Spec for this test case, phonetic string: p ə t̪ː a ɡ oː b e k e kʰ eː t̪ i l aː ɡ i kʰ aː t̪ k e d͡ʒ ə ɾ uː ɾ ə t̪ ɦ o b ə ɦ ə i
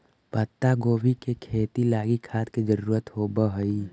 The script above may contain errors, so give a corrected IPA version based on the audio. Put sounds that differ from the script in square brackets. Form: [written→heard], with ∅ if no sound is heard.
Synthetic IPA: p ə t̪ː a ɡ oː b [e→i] k e kʰ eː t̪ i l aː ɡ i kʰ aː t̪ k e d͡ʒ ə ɾ uː ɾ ə t̪ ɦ o b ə ɦ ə i